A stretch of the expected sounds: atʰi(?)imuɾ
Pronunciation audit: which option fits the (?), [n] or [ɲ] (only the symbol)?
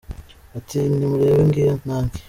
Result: n